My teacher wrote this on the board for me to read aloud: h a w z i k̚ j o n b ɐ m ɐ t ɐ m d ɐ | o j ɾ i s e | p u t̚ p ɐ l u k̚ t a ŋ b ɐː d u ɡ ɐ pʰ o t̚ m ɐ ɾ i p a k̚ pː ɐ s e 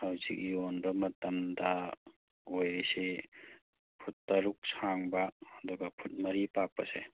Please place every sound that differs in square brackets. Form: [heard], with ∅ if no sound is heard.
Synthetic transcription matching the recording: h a w z i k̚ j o n b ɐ m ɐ t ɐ m d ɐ | o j ɾ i s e | [pʰ] u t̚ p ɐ [ɾ] u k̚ [s] a ŋ b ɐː d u ɡ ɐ pʰ [u] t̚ m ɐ ɾ i p a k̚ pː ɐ s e